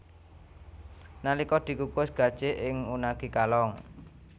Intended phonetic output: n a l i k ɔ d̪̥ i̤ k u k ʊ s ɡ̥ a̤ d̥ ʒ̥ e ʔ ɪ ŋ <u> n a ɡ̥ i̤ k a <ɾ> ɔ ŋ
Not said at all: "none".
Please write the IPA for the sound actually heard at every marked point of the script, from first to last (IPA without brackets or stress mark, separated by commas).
u, l